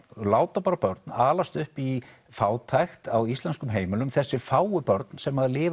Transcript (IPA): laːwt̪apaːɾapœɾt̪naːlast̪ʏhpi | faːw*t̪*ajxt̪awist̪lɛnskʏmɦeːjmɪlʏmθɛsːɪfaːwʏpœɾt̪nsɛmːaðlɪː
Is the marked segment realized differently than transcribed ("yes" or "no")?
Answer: yes